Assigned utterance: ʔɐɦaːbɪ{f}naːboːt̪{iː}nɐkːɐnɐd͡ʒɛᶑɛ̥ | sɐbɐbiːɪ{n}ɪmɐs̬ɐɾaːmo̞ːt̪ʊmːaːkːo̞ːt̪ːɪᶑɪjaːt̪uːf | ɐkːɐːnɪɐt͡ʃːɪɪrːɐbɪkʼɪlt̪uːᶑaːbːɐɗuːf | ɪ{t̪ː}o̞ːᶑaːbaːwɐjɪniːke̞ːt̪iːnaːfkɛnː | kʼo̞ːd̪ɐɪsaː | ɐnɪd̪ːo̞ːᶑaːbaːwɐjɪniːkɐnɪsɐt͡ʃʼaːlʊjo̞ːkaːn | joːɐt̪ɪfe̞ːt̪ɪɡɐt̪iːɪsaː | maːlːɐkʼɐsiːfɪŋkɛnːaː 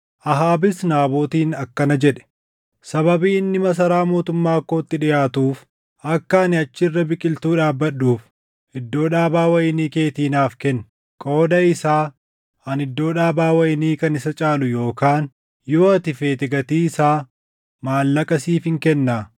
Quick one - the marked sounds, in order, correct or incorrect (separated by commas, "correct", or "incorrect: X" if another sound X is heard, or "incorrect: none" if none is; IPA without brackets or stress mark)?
incorrect: s, correct, incorrect: nː, incorrect: d̪ː